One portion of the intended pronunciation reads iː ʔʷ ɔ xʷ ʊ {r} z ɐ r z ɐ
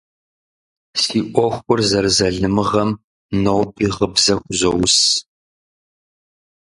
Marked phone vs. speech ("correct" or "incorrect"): correct